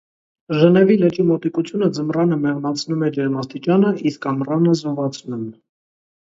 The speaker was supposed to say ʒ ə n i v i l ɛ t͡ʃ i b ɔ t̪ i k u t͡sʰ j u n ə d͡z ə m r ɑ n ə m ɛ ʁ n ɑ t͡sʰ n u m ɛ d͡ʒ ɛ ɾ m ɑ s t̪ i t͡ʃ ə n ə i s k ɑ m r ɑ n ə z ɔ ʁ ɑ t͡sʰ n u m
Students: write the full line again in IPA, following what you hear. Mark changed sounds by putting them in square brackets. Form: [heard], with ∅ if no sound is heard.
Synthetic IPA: ʒ ə n [ɛ] v i l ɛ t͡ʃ i [m] ɔ t̪ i k u t͡sʰ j u n ə d͡z ə m r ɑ n ə m ɛ ʁ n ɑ t͡sʰ n u m ɛ d͡ʒ ɛ ɾ m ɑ s t̪ i t͡ʃ [ɑ] n ə i s k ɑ m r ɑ n ə z ɔ [v] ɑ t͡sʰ n u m